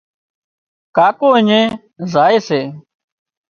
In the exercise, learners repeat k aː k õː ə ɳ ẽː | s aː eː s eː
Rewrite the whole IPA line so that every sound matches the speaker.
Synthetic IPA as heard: k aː k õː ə ɲ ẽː | z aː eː s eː